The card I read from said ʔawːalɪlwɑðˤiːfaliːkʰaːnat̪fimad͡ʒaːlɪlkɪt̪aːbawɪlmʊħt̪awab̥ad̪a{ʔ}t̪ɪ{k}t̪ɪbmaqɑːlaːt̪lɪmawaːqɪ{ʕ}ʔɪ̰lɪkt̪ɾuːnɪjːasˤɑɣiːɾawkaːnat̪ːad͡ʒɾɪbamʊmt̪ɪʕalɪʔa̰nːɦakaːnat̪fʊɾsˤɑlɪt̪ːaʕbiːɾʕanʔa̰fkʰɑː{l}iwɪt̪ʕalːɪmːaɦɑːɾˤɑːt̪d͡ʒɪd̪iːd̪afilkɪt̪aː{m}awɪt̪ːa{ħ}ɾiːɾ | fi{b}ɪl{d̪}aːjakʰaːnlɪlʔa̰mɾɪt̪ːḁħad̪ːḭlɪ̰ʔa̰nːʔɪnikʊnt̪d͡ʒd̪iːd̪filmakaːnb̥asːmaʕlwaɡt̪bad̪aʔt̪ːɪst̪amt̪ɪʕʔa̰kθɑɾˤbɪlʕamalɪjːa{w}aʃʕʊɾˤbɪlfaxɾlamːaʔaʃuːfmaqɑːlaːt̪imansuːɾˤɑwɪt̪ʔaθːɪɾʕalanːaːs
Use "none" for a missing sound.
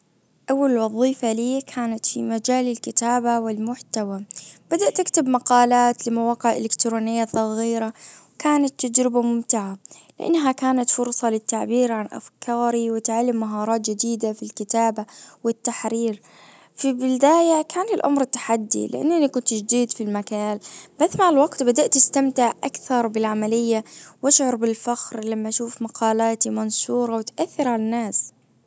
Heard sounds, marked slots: ʔ, k, ʕ, ɾ, b, ħ, b, d̪, w

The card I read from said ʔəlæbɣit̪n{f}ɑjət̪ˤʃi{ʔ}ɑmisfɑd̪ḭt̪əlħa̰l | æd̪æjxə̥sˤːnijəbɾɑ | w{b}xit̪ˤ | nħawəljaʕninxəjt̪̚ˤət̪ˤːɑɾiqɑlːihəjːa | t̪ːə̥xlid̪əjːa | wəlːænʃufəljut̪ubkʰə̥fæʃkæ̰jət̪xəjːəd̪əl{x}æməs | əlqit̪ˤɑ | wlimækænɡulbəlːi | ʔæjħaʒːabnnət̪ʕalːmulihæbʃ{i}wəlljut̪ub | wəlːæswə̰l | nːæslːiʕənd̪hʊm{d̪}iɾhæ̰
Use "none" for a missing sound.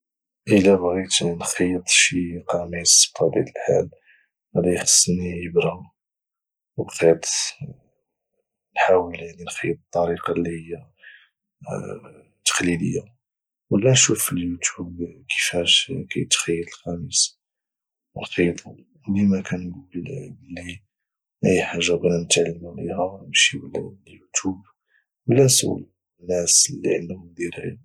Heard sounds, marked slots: x, q, b, x, i, d̪

